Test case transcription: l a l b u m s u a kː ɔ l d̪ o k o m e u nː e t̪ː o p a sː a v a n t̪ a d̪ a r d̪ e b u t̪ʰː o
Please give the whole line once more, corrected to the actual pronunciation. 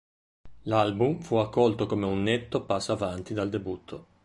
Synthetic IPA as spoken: l a l b u m f u a kː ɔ l t̪ o k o m e u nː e t̪ː o p a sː a v a n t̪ i d̪ a l d̪ e b u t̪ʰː o